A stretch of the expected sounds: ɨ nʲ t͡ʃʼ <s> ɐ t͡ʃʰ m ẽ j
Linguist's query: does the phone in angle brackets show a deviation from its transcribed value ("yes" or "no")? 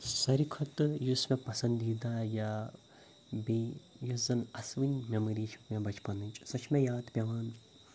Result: no